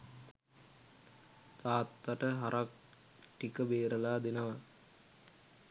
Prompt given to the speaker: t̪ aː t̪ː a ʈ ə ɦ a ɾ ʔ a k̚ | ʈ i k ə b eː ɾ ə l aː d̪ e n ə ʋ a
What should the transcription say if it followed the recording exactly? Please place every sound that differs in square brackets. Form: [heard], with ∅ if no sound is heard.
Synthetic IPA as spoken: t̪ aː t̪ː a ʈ ə ɦ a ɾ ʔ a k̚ | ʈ i k ə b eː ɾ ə l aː d̪ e n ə ʋ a